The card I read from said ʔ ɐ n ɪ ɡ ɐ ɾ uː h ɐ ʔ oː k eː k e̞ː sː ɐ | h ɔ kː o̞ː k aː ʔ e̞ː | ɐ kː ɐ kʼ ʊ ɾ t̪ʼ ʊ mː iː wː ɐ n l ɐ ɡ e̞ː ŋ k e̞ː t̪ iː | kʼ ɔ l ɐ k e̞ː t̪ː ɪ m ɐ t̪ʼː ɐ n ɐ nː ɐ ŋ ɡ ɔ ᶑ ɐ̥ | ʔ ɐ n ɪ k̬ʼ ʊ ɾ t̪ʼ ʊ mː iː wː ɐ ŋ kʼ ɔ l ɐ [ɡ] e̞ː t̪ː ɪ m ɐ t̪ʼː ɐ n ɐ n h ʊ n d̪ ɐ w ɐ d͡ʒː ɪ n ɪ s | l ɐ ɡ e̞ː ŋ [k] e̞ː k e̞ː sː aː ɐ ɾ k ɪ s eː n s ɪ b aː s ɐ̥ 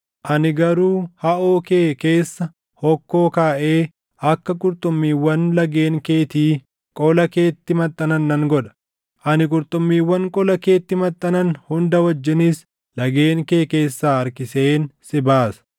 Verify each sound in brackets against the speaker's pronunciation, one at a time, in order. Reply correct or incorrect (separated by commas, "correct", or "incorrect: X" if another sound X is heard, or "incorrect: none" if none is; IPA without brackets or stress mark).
incorrect: k, correct